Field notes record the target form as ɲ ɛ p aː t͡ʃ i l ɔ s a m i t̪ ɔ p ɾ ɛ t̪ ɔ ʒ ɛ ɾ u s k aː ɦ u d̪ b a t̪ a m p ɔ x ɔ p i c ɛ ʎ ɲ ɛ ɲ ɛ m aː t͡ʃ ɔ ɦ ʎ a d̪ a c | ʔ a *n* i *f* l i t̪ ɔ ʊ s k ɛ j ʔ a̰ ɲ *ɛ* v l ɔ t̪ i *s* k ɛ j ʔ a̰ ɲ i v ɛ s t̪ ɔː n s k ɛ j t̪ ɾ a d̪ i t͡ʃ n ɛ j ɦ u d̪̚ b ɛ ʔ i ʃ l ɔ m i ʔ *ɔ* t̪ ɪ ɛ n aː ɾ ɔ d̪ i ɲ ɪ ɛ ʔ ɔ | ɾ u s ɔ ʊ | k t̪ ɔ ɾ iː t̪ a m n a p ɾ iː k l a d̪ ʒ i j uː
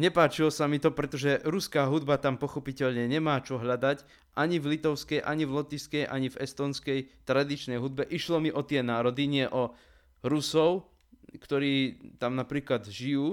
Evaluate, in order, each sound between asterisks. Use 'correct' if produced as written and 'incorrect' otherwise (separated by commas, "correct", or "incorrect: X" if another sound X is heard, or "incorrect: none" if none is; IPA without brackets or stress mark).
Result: incorrect: ɲ, incorrect: v, incorrect: i, correct, correct